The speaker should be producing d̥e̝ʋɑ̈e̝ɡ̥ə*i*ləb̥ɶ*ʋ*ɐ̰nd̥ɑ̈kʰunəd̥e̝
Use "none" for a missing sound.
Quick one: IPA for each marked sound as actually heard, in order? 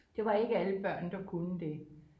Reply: æ, none

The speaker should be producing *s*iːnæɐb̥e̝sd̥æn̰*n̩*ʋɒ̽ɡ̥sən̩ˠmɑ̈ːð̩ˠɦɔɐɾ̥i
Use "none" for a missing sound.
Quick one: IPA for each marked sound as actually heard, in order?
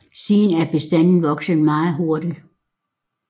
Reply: s, n̩

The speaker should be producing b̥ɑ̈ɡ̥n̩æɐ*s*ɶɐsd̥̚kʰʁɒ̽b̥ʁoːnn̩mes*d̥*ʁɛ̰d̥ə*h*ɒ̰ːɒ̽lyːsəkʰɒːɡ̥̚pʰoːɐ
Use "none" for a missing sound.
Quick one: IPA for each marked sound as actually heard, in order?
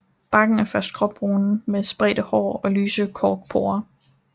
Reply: f, b̥, h

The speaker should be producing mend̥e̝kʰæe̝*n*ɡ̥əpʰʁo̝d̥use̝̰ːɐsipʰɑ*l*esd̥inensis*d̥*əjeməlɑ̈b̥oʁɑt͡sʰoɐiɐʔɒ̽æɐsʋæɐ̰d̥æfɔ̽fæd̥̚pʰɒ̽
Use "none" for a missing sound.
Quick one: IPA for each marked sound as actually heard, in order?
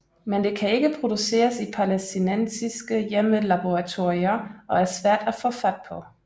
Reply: none, l, ɡ̥

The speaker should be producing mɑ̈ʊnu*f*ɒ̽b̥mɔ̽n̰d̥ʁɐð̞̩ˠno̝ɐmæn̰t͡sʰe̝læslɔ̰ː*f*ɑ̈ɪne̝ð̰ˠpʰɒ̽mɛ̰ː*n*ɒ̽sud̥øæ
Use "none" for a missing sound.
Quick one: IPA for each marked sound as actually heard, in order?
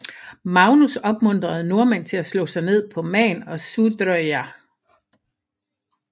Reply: s, s, n

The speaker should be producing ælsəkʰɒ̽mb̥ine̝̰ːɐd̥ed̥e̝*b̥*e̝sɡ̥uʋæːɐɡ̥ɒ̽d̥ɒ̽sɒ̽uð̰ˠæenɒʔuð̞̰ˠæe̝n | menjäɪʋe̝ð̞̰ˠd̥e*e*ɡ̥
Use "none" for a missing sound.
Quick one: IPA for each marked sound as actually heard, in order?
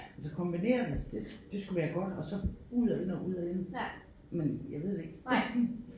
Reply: d̥, e

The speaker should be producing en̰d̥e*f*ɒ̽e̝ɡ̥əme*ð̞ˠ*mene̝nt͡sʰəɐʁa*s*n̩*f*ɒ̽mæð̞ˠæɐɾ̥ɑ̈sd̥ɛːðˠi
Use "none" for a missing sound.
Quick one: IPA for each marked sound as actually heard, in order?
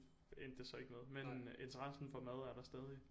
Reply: s, ð̞ˠ, s, f

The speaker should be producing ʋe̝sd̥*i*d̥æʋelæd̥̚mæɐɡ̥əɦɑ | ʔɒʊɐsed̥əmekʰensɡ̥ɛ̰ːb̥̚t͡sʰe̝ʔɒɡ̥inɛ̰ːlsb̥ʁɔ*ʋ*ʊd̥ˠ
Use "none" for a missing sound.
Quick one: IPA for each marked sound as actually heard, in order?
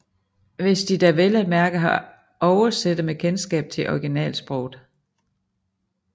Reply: i, none

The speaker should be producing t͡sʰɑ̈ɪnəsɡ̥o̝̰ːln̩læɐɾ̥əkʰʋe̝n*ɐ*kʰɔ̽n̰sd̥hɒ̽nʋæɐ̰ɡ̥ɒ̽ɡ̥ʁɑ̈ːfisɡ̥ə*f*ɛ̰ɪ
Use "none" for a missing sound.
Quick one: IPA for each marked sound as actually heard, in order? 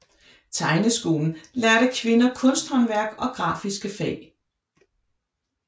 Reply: ɐ, f

